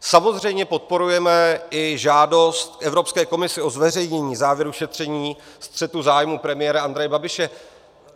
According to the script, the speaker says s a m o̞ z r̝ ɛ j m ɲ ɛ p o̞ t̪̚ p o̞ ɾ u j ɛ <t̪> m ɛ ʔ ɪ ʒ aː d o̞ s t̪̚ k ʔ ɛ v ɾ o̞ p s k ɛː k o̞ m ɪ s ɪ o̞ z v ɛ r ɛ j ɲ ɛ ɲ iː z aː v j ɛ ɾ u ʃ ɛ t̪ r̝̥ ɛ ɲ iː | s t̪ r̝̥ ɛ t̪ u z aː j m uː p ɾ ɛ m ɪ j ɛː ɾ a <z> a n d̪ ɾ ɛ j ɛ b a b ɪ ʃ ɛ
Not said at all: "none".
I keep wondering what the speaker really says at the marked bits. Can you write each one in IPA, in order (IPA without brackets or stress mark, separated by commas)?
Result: none, none